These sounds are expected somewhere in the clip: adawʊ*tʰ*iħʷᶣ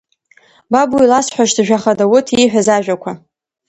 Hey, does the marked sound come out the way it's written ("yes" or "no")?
yes